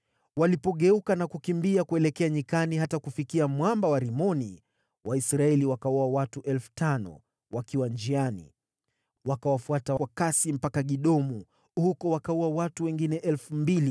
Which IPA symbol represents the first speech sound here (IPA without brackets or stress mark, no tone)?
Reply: w